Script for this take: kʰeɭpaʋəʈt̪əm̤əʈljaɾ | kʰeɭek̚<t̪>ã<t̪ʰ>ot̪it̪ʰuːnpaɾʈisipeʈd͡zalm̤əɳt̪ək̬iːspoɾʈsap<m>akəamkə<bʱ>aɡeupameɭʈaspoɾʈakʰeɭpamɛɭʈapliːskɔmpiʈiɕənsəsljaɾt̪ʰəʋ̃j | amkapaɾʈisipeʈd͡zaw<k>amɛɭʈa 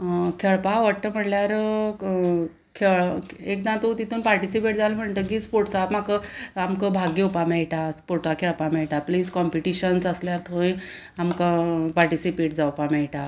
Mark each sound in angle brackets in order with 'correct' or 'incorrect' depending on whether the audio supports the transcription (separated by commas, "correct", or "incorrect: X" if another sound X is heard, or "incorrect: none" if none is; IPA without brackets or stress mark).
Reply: incorrect: d̪, incorrect: t̪, correct, correct, incorrect: p